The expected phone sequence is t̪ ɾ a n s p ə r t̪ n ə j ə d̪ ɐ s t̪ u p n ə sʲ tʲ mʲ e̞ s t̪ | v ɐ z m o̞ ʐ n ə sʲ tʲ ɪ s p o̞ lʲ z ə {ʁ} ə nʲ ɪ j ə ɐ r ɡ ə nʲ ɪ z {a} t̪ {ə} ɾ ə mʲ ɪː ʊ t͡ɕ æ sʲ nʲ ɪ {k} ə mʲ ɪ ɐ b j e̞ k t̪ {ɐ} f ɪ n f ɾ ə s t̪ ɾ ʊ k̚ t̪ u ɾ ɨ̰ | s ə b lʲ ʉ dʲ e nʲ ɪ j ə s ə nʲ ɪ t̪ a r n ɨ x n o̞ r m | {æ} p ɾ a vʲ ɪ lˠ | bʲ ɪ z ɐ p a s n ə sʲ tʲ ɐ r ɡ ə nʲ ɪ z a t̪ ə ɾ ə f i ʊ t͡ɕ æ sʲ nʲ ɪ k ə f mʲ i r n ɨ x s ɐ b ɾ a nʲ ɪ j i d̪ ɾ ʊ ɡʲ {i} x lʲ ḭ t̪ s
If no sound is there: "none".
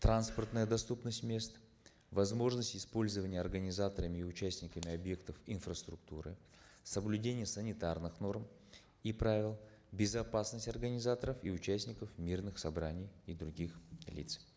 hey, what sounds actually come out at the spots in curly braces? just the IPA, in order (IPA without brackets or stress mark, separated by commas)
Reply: v, a, ə, k, ə, i, i